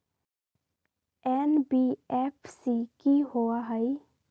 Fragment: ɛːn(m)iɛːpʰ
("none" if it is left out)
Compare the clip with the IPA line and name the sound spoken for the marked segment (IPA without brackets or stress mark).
b